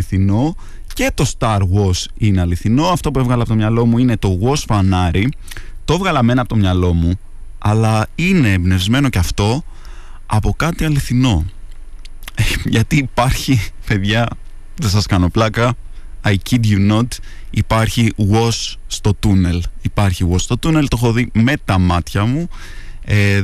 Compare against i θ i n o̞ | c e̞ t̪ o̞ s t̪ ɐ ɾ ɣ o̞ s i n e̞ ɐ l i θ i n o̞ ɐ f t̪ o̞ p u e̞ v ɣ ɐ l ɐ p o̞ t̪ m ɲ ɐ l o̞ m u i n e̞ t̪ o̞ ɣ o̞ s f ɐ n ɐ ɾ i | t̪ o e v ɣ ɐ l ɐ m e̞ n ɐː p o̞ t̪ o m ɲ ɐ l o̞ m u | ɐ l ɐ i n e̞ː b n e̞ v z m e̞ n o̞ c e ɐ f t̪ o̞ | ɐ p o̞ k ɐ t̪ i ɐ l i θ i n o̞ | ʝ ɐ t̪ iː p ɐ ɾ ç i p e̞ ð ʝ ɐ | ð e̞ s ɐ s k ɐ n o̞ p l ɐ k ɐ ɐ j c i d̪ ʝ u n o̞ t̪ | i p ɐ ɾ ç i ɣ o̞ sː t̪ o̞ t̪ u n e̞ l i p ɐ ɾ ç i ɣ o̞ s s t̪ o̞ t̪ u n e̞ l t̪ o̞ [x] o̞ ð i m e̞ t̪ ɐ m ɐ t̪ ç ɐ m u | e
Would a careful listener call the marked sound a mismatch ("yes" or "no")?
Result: no